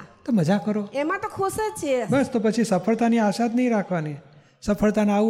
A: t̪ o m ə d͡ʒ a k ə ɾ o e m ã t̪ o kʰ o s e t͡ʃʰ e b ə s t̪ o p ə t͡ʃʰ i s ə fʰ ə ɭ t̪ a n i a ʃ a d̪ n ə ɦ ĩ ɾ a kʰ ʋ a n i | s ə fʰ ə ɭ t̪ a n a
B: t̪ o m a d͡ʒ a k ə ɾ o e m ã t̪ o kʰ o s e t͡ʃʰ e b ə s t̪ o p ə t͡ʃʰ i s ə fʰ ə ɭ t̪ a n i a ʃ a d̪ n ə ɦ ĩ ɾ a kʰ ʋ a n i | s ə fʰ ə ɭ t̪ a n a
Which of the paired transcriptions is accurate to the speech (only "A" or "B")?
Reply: A